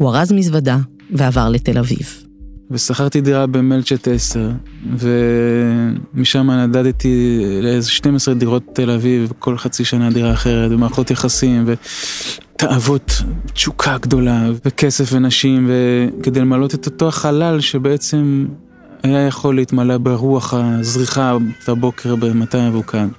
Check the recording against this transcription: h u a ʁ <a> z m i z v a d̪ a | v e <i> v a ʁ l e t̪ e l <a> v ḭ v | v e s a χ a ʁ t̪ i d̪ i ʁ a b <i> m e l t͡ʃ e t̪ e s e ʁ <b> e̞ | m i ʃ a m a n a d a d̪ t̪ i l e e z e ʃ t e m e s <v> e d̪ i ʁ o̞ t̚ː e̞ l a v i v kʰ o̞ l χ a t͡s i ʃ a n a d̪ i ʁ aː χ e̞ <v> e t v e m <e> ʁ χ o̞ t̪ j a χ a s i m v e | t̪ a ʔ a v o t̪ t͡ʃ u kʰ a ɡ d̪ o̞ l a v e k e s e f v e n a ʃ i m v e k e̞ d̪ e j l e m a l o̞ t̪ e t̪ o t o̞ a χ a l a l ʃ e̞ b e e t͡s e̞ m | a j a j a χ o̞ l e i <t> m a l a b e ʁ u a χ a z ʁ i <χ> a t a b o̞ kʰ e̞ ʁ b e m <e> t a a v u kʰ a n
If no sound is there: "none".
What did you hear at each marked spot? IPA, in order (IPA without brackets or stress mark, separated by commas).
a, a, a, e, v, ʁ, ʁ, a, t, χ, a